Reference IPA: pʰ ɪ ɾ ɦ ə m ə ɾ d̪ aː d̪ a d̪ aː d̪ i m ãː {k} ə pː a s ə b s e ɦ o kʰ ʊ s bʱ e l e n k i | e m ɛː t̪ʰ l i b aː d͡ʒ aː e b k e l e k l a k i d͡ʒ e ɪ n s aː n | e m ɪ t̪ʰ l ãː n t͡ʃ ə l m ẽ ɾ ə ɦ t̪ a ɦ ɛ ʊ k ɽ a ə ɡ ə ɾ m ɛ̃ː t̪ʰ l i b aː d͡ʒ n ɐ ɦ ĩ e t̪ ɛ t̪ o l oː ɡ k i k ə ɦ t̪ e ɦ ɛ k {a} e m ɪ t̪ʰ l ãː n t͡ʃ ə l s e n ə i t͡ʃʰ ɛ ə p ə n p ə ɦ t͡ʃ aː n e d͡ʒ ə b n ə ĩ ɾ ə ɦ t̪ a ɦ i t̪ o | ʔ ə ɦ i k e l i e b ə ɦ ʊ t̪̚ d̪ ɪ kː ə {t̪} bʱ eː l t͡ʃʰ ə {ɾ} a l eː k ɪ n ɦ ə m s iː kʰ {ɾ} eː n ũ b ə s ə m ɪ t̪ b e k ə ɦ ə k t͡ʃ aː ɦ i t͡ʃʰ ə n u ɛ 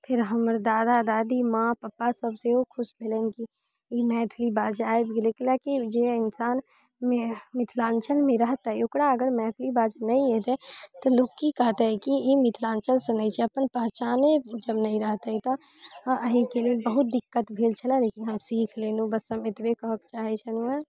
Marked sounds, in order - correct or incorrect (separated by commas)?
incorrect, incorrect, correct, incorrect, incorrect